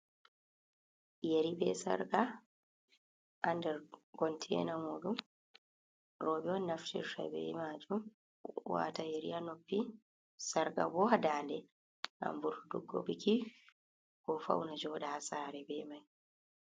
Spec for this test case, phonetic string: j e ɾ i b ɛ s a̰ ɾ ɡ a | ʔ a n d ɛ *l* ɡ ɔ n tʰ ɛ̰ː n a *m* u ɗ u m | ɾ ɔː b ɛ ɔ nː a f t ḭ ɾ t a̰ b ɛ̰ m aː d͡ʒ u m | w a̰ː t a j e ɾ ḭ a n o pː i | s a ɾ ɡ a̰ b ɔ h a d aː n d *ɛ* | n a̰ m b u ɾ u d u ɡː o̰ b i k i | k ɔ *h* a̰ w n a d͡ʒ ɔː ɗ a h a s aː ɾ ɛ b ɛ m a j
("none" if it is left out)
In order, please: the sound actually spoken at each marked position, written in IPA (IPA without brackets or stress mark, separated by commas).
ɾ, m, ɛ, f